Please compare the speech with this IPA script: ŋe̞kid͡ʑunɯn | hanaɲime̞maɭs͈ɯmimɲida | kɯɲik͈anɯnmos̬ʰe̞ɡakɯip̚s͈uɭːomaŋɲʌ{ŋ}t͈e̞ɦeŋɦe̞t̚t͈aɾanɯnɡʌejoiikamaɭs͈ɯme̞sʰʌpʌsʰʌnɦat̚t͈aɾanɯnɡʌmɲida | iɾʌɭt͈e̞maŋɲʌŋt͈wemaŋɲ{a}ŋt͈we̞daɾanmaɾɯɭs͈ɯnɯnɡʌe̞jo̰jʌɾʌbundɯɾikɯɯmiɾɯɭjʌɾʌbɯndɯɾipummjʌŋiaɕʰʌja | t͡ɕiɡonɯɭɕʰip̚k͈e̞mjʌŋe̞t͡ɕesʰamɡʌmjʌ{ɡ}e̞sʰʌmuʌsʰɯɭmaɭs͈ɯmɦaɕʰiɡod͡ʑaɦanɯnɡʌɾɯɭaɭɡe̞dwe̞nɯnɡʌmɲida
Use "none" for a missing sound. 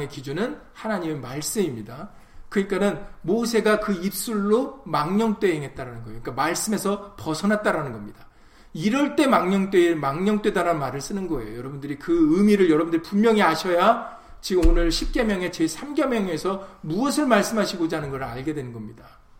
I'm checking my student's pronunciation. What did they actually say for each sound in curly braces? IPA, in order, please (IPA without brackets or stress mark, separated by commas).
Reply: ŋ, ʌ, ŋ